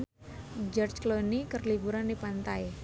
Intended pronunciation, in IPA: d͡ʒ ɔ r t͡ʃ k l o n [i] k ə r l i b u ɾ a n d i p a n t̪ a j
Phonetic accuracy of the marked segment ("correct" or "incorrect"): correct